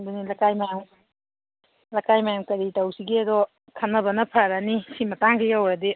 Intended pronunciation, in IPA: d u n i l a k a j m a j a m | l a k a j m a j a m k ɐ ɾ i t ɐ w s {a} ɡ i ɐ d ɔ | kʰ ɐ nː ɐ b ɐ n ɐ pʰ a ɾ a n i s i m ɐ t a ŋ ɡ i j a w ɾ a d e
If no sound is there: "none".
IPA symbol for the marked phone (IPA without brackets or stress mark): i